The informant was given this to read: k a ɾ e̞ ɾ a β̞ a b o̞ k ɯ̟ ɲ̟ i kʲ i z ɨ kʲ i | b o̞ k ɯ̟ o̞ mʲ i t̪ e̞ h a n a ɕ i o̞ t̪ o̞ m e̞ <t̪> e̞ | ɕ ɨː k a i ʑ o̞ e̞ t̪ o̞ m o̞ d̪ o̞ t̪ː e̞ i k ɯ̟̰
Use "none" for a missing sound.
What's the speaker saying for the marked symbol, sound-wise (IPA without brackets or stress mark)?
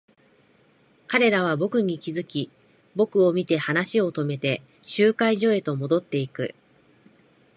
t̪